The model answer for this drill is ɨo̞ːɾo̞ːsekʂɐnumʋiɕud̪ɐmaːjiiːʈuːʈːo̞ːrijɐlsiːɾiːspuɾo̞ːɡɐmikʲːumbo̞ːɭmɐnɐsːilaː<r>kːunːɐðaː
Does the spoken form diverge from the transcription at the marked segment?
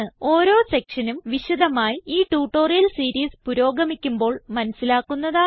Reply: yes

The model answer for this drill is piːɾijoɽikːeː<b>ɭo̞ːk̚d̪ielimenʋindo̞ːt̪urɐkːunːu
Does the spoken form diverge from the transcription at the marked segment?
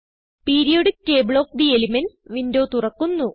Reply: no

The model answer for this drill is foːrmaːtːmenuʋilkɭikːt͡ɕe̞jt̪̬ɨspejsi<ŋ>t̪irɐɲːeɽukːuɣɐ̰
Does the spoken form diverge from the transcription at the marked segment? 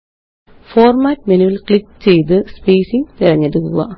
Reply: no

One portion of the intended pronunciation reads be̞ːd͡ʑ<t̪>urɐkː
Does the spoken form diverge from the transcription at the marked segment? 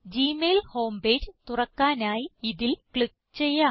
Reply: no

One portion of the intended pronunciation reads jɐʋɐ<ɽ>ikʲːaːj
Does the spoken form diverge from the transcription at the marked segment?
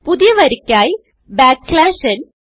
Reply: yes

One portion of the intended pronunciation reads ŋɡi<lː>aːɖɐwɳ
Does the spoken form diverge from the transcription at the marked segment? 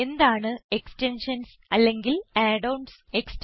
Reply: yes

